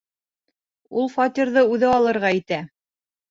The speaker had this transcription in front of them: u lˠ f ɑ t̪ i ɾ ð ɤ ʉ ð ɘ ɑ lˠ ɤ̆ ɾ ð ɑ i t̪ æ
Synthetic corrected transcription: u lˠ f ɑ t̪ i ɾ ð ɤ ʉ ð ɘ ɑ lˠ ɤ̆ ɾ ʁ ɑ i t̪ æ